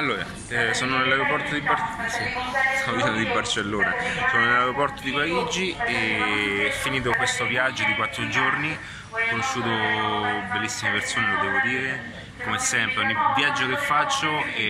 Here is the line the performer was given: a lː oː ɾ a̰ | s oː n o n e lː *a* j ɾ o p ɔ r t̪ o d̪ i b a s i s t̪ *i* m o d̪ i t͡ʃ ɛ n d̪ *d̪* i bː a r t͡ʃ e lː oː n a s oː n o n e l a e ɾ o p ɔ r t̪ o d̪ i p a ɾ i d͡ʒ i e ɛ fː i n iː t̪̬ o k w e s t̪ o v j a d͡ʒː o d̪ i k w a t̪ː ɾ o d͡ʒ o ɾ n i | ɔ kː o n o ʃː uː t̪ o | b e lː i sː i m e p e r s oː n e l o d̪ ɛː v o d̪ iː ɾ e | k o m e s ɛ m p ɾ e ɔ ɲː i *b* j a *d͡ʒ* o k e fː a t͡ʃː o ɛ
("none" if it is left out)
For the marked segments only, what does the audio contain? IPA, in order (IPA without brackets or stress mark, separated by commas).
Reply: a, a, d̪, v, d͡ʒː